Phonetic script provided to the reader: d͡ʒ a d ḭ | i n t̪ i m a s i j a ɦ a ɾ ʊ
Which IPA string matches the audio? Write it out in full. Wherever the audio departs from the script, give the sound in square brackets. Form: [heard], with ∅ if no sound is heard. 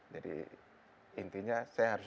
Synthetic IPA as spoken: d͡ʒ a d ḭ | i n t̪ i [ɲ] a s [a] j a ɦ a ɾ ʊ

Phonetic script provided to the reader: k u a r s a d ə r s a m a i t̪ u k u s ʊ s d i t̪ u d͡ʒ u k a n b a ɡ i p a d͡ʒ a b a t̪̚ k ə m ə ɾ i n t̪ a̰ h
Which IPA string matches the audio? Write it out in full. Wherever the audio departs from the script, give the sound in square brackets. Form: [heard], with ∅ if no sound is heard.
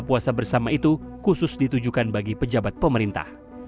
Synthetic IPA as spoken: [p] u a [∅] s a [b] ə r s a m a i t̪ u k u s ʊ s d i t̪ u d͡ʒ u k a n b a ɡ i p [ə] d͡ʒ a b a t̪̚ [p] ə m ə ɾ i n t̪ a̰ h

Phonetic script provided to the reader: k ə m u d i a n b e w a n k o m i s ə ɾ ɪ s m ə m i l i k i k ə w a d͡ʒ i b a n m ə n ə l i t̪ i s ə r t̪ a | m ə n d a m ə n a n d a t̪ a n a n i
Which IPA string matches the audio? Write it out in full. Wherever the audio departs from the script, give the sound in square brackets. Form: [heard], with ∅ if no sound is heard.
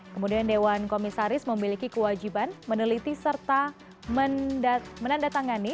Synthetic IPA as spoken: k ə m u d i a n [d] e w a n k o m i s [a] ɾ ɪ s m ə m i l i k i k ə w a d͡ʒ i b a n m ə n ə l i t̪ i s ə r t̪ a | m ə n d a m ə n a n d a t̪ a [ŋ] a n i

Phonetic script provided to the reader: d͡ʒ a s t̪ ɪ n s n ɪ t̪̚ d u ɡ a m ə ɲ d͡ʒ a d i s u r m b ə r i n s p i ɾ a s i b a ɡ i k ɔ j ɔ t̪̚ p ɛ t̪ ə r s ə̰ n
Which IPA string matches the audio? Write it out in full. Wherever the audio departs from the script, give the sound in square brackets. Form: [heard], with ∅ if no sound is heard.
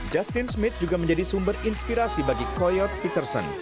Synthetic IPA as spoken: d͡ʒ a s t̪ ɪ n s [m] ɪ t̪̚ [d͡ʒ] u ɡ a m ə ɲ d͡ʒ a d i s u [∅] m b ə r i n s p i ɾ a s i b a ɡ i k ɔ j ɔ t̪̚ p [i] t̪ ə r s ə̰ n

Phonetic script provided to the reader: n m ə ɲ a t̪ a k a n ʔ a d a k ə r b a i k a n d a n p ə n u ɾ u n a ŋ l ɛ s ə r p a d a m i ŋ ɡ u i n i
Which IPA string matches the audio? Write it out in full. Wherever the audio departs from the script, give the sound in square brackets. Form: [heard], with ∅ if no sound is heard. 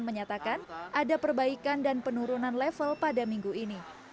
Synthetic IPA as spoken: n m ə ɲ a t̪ a k a n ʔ a d a [p] ə r b a i k a n d a n p ə n u ɾ u n a [n] l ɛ [f] ə [l] p a d a m i ŋ ɡ u i n i

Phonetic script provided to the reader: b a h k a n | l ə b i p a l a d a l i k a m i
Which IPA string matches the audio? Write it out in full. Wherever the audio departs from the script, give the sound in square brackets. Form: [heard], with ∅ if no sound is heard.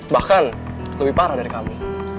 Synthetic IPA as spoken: b a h k a n | l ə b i p a [ɾ] a d a [ɾ] i k a m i

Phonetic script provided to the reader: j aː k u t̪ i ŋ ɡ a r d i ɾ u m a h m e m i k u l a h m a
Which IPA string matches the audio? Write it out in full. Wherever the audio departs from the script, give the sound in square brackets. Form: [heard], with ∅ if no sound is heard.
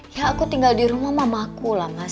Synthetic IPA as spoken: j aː k u t̪ i ŋ ɡ a [l] d i ɾ u m a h m [a] m [a] k u l a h m a

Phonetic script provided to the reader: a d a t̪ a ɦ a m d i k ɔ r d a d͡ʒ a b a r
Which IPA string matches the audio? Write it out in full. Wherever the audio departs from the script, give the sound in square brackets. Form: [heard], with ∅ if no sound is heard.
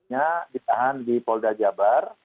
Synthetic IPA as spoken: a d [i] t̪ a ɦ a [n] d i [p] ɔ [l] d a d͡ʒ a b a r

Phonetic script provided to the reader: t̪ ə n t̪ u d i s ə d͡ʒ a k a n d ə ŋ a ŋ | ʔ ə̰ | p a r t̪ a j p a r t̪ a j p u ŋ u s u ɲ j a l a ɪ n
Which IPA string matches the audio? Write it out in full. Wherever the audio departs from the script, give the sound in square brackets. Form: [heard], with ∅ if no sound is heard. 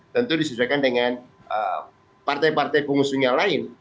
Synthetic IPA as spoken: t̪ ə n t̪ u d i s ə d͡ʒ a k a n d ə ŋ a [n] | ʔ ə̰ | p a r t̪ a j p a r t̪ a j p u ŋ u s u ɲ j a l a ɪ n

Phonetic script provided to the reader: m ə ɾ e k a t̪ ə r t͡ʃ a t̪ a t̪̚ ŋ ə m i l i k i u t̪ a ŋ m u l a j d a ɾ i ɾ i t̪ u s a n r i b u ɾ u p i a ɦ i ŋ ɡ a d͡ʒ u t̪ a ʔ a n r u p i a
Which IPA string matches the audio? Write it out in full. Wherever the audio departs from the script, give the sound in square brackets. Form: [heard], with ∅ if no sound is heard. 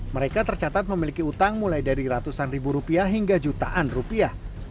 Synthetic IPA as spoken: m ə ɾ e k a t̪ ə r t͡ʃ a t̪ a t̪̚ [m] ə m i l i k i u t̪ a ŋ m u l a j d a ɾ i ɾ [a] t̪ u s a n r i b u ɾ u p i a ɦ i ŋ ɡ a d͡ʒ u t̪ a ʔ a n r u p i a

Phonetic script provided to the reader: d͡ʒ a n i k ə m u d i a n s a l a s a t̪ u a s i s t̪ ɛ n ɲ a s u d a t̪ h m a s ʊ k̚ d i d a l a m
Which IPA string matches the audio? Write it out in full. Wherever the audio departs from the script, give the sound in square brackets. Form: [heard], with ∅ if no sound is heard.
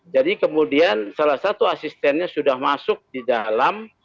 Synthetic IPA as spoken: d͡ʒ a [d] i k ə m u d i a n s a l a s a t̪ u a s i s t̪ ɛ n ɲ a s u d a [∅] h m a s ʊ k̚ d i d a l a m

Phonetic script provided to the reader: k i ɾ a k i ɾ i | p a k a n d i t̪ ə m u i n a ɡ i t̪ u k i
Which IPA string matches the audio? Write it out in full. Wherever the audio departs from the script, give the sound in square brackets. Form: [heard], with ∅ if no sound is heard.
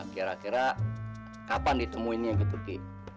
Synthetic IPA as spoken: k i ɾ a k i ɾ [a] | [k] a [p] a n d i t̪ ə m u i n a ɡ i t̪ u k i

